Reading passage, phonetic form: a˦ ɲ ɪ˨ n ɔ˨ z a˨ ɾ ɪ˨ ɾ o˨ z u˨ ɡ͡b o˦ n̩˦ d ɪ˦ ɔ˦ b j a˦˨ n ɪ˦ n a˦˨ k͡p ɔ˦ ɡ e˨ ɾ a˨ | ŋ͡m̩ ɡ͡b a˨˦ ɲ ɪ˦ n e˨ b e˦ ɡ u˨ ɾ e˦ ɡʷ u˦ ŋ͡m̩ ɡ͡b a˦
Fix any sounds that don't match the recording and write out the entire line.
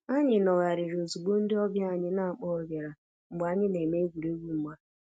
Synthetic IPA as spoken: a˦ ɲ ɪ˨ n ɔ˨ ɣ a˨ ɾ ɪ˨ ɾ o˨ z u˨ ɡ͡b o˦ n̩˦ d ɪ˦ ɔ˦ b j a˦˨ ɲ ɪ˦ n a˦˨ k͡p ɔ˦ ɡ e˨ ɾ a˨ | ŋ͡m̩ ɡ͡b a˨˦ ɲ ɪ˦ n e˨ m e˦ ɡ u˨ ɾ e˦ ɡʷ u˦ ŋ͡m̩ ɡ͡b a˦